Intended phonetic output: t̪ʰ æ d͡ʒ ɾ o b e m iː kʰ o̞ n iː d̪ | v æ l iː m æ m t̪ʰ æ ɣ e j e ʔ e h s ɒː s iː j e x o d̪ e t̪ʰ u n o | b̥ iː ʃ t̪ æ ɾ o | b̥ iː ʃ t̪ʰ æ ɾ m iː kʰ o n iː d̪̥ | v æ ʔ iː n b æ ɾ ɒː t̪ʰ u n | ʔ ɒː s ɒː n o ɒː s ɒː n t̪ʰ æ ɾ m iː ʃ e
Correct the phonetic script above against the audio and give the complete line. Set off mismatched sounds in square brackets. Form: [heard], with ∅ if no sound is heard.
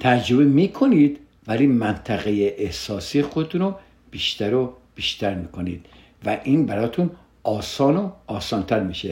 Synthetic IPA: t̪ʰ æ d͡ʒ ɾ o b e m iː kʰ o̞ n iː d̪ | v æ l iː m æ [n] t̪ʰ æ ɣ e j e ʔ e h s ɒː s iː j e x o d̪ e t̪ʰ u n o | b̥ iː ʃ t̪ æ ɾ o | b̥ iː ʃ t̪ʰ æ ɾ m iː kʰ o n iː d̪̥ | v æ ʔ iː n b æ ɾ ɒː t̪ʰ u n | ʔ ɒː s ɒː n o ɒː s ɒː n t̪ʰ æ ɾ m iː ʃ e